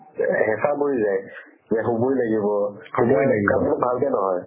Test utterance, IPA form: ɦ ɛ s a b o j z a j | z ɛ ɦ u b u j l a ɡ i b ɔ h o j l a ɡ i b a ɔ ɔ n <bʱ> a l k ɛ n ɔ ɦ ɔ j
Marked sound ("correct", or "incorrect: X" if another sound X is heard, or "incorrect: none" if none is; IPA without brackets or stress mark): correct